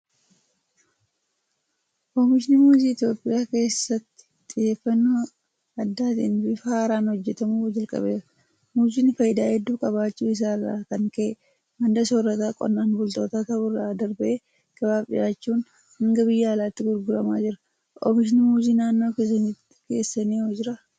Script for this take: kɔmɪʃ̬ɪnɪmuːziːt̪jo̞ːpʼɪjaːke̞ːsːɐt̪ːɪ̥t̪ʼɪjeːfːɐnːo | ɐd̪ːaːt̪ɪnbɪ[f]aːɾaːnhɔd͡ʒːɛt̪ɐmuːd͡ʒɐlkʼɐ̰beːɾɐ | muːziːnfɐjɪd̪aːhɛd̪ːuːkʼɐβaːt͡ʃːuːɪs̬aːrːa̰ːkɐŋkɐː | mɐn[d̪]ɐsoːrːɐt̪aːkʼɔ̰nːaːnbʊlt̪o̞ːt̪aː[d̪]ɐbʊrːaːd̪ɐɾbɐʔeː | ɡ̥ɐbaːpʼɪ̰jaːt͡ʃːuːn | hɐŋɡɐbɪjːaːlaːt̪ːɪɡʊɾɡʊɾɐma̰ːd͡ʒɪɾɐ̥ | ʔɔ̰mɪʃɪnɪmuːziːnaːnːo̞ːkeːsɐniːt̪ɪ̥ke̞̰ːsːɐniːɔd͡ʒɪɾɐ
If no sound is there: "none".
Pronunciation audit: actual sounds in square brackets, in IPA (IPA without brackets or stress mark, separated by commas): f, d̪, t̪